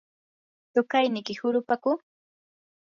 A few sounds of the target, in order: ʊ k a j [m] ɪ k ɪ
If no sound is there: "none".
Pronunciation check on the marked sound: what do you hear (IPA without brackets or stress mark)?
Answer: n